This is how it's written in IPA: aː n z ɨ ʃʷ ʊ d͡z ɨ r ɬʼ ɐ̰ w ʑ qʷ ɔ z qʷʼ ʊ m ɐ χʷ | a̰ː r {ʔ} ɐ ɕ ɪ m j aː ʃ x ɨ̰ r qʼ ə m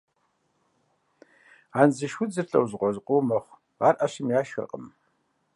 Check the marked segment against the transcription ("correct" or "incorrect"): correct